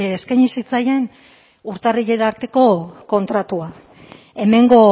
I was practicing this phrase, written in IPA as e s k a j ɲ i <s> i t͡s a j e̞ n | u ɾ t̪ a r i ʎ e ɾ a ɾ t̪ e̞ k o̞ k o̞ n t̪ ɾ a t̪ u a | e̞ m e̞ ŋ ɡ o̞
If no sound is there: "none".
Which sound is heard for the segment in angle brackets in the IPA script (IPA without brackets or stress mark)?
s